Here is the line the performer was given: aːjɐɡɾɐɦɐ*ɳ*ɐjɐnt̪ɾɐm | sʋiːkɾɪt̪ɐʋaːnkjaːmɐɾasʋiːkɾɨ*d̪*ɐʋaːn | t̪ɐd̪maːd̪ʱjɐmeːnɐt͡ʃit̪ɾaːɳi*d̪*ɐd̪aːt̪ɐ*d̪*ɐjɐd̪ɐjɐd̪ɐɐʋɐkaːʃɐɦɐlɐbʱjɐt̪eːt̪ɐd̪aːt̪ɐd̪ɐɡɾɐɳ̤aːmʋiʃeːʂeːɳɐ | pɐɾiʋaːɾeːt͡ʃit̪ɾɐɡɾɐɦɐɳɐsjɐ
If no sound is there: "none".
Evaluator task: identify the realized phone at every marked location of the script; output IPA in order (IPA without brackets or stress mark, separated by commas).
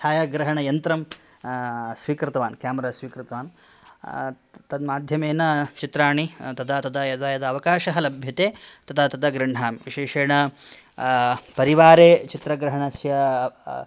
ɳ, t̪, t̪, d̪